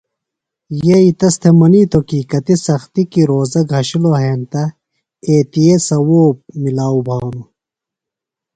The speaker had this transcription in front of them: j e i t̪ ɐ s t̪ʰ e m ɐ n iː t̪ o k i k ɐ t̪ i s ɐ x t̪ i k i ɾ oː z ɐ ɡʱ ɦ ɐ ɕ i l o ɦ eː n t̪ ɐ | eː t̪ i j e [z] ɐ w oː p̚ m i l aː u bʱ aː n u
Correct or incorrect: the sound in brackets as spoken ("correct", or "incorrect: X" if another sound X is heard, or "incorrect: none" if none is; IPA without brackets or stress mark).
incorrect: s